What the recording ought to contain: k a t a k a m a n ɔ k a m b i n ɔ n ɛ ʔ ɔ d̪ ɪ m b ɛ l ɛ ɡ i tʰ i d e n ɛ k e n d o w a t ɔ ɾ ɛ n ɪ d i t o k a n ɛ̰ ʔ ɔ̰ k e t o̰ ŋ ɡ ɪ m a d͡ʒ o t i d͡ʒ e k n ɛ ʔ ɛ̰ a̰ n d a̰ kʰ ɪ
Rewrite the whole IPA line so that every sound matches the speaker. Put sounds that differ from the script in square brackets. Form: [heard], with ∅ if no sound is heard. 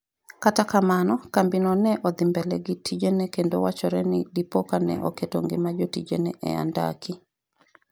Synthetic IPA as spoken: k a t a k a m a n ɔ k a m b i n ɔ n ɛ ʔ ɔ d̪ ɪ m b ɛ l ɛ ɡ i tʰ i [d͡ʒ] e n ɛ k e n d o w a [t͡ʃ] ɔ ɾ ɛ n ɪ d i [p] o k a n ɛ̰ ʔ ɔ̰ k e t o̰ ŋ ɡ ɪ m a d͡ʒ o t i d͡ʒ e [∅] n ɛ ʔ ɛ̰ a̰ n d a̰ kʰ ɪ